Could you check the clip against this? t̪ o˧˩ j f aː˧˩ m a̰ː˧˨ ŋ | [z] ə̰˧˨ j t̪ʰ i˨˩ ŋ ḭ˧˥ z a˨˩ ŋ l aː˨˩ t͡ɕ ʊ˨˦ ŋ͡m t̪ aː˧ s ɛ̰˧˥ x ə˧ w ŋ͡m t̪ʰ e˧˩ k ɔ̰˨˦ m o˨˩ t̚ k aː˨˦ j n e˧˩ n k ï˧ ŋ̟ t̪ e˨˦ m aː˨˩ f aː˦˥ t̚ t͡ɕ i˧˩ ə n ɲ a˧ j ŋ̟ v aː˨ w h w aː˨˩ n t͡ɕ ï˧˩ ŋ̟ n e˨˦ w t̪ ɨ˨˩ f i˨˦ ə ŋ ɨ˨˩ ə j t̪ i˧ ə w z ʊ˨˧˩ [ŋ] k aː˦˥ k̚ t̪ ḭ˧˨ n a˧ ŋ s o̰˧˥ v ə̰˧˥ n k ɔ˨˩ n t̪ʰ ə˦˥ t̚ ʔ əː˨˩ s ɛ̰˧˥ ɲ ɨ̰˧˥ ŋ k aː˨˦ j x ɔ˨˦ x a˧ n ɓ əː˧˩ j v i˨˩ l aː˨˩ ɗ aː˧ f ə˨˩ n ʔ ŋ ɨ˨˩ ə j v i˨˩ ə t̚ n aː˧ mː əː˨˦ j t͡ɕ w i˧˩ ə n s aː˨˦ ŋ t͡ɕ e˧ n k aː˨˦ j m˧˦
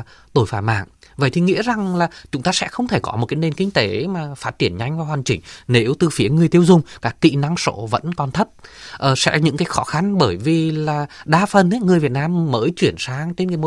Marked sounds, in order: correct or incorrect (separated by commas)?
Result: incorrect, incorrect